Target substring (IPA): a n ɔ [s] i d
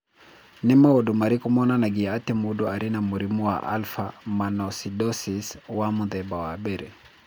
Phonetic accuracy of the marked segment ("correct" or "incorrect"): correct